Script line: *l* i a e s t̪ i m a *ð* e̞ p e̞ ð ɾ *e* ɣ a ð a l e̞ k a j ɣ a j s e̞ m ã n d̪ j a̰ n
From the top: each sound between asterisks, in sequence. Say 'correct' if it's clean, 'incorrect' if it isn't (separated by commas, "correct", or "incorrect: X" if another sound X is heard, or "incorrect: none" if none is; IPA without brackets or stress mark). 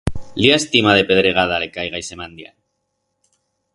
correct, correct, correct